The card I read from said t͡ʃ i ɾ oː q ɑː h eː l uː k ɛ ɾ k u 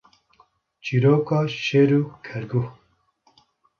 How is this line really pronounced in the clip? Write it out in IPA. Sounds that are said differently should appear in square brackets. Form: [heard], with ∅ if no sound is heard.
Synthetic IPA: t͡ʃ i ɾ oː [k] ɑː [ʃ] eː [ɾ] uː [kʰ] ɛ ɾ [ɡ] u